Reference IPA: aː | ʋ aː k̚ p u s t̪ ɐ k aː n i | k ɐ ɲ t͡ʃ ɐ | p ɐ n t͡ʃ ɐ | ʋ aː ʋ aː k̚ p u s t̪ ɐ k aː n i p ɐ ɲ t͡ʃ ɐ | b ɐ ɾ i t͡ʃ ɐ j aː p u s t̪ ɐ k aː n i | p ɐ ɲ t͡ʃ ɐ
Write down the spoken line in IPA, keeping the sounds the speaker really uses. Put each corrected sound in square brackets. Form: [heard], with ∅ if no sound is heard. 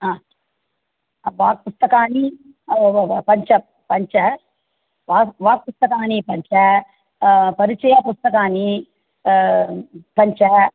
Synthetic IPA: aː | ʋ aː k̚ p u s t̪ ɐ k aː n i | [p] ɐ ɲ t͡ʃ ɐ | p ɐ [ɲ] t͡ʃ ɐ | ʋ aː ʋ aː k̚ p u s t̪ ɐ k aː n i p ɐ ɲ t͡ʃ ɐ | [p] ɐ ɾ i t͡ʃ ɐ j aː p u s t̪ ɐ k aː n i | p ɐ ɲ t͡ʃ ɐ